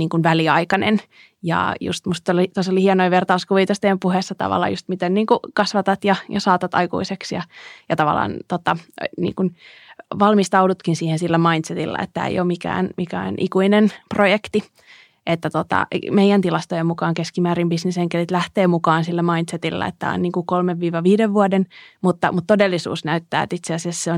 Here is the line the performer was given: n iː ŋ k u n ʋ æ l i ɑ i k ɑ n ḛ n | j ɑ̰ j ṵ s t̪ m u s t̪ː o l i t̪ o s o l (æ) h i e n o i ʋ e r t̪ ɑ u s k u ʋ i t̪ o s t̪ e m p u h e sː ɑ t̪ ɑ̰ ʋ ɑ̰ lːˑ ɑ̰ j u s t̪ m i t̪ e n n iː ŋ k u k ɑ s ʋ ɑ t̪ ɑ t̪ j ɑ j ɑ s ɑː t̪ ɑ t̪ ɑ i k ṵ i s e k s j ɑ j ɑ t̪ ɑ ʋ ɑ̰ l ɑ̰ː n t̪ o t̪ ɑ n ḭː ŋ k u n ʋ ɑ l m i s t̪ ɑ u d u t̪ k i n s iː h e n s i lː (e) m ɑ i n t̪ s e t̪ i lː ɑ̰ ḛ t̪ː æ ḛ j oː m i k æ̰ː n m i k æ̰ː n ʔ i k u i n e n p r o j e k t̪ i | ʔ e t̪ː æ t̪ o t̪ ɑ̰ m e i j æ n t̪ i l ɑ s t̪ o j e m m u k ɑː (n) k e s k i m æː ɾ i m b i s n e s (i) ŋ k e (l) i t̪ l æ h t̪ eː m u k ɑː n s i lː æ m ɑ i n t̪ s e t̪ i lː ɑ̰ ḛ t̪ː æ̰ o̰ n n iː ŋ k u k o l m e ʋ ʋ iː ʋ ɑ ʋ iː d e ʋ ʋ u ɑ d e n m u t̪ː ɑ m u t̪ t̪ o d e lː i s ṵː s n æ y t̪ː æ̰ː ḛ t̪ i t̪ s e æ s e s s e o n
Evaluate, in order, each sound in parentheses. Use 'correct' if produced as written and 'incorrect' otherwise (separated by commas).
incorrect, incorrect, incorrect, incorrect, correct